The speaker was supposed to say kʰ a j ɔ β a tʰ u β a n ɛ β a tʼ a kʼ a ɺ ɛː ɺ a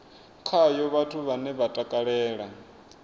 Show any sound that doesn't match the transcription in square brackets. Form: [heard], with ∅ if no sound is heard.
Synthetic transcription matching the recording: kʰ a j ɔ β a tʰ u β a n ɛ β a tʼ a kʼ a ɺ ɛː ɺ a

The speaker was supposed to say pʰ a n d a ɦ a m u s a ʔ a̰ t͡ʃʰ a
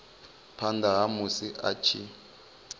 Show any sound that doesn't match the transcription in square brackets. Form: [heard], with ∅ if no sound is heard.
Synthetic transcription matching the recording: pʰ a n d a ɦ a m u s [i] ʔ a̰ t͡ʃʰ [i]

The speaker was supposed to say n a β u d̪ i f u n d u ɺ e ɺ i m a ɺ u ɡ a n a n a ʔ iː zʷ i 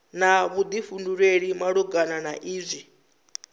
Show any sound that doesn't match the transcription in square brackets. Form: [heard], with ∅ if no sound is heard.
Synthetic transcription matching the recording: n a β u d̪ i f u n d u ɺ e ɺ i m a ɺ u ɡ a n a n a ʔ iː zʷ i

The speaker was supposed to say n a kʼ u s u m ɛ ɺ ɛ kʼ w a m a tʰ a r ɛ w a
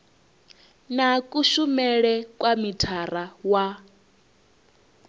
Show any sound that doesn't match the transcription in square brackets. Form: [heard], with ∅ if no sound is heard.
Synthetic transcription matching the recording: n a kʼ u [ʃ] u m ɛ ɺ ɛ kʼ w a m [i] tʰ a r [a] w a

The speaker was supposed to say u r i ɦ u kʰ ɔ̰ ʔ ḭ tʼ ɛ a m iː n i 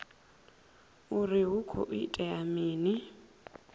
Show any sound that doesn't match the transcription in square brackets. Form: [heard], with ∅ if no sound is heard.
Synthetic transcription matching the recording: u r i ɦ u kʰ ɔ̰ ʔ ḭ tʼ ɛ a m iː n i

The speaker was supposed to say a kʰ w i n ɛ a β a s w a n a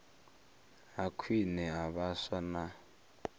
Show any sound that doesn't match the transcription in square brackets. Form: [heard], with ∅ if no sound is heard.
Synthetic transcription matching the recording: a kʰ w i n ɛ a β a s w a n a

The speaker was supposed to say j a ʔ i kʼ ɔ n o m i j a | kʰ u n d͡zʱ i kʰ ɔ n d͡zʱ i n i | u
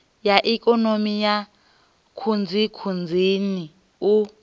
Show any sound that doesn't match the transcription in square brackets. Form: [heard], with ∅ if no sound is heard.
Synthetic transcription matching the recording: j a ʔ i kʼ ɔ n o m i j a | kʰ u n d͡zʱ i kʰ [u] n d͡zʱ i n i | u

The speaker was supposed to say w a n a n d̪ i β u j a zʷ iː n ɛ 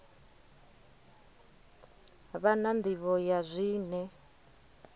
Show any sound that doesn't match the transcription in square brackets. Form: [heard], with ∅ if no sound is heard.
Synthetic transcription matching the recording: [β] a n a n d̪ i β [ɔ] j a zʷ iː n ɛ

